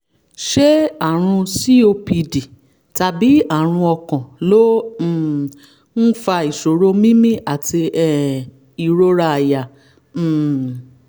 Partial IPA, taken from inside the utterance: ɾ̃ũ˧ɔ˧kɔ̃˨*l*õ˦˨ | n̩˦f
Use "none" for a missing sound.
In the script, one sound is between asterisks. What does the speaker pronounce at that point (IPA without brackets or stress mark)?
l